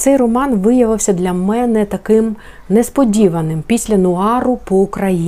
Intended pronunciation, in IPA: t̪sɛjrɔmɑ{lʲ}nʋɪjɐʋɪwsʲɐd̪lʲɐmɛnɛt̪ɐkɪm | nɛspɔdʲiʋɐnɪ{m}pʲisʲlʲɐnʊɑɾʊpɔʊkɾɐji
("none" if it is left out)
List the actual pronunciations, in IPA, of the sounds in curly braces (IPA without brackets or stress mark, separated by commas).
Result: none, m